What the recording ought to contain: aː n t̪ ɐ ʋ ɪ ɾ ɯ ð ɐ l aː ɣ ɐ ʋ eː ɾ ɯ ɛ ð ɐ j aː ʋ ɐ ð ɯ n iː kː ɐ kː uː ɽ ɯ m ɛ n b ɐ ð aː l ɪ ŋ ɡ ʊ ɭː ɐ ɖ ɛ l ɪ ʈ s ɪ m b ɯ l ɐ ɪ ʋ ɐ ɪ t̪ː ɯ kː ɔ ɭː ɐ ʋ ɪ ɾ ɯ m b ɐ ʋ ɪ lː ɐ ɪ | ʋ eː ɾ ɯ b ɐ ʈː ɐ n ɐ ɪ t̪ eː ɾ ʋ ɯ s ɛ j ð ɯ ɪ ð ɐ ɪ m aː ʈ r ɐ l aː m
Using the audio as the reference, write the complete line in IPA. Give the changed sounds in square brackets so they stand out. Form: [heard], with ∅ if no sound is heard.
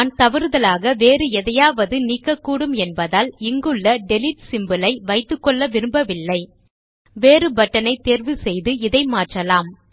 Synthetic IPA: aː n t̪ ɐ ʋ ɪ ɾ ɯ ð ɐ l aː ɣ ɐ ʋ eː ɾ ɯ ɛ ð ɐ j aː ʋ ɐ ð ɯ n iː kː ɐ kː uː ɽ ɯ m ɛ n b ɐ ð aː l ɪ ŋ ɡ [ɯ] ɭː ɐ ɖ ɛ l ɪ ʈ s ɪ m b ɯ l ɐ ɪ ʋ ɐ ɪ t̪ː ɯ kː ɔ ɭː ɐ ʋ ɪ ɾ ɯ m b ɐ ʋ ɪ lː ɐ ɪ | ʋ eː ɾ ɯ b ɐ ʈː ɐ n ɐ ɪ t̪ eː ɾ ʋ ɯ s ɛ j ð ɯ ɪ ð ɐ ɪ m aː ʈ r ɐ l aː m